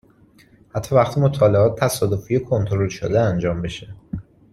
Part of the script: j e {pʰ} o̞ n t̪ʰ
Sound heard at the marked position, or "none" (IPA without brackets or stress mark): kʰ